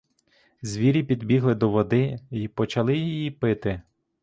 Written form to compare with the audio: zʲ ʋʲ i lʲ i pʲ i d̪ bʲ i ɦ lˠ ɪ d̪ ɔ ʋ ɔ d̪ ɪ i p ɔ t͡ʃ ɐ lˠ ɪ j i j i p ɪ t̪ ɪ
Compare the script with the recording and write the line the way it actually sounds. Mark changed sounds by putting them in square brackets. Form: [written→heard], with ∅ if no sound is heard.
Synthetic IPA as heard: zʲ ʋʲ i [lʲ→ɾʲ] i pʲ i d̪ bʲ i ɦ lˠ ɪ d̪ ɔ ʋ ɔ d̪ ɪ i p ɔ t͡ʃ ɐ lˠ ɪ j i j i p ɪ t̪ ɪ